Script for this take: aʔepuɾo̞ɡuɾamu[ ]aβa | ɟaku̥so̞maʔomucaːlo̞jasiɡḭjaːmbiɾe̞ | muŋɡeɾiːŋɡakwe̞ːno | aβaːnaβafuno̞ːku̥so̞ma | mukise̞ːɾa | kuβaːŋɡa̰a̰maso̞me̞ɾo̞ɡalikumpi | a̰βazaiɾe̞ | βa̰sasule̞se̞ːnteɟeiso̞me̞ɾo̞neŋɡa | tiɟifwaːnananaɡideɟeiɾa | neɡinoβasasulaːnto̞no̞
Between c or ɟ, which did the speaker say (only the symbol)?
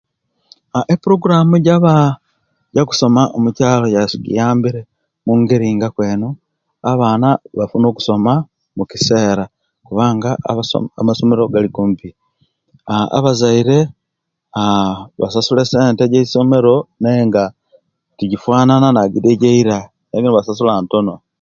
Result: ɟ